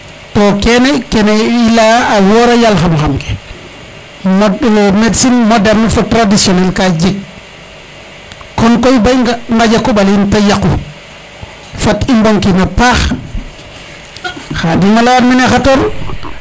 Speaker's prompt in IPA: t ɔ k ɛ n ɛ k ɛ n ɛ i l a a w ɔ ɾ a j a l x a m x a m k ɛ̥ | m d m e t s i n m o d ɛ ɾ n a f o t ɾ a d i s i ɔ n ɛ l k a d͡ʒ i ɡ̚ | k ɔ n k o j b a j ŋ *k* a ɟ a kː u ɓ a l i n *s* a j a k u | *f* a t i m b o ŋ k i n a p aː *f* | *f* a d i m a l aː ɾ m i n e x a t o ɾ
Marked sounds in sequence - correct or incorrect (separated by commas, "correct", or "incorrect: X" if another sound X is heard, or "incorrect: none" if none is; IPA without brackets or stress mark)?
incorrect: ɡ, incorrect: t, correct, incorrect: x, incorrect: x